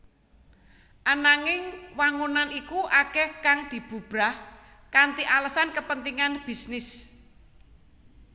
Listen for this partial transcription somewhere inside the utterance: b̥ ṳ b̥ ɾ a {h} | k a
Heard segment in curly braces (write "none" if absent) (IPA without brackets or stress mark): h